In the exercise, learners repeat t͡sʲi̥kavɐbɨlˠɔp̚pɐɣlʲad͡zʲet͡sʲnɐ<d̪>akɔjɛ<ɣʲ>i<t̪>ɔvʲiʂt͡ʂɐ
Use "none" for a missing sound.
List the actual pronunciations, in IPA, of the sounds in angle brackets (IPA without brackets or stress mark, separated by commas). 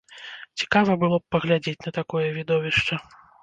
t̪, vʲ, d̪